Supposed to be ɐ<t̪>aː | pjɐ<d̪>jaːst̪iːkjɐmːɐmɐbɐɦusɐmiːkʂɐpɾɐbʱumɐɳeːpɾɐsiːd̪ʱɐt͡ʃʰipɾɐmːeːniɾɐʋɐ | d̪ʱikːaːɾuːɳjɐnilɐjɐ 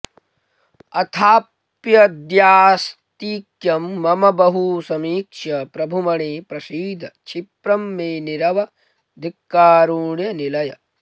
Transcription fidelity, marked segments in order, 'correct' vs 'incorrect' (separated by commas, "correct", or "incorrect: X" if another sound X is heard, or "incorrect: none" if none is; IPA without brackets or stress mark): incorrect: t̪ʰ, correct